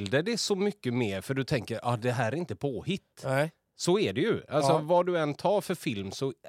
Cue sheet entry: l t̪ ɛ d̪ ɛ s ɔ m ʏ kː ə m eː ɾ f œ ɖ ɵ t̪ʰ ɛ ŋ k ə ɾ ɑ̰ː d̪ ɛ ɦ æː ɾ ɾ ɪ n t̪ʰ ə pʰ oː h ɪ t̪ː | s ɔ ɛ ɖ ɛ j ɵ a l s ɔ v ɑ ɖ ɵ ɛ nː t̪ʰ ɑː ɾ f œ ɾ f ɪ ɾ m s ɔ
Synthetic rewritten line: l d̪ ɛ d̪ ɛ s ɔ m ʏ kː ə m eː ɾ f œ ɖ ɵ t̪ʰ ɛ ŋ k ə ɾ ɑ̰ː d̪ ɛ ɦ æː ɾ ɾ ɪ n t̪ ə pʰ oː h ɪ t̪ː | s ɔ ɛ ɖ ɛ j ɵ a l s ɔ v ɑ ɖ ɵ ɛ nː t̪ʰ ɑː ɾ f œ ɾ f ɪ l m s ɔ